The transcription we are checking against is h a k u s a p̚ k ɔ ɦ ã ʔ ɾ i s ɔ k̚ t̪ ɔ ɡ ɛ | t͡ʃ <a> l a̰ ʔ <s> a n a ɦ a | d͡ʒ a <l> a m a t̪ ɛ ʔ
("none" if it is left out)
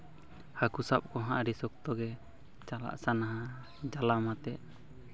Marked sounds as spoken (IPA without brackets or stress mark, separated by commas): a, s, l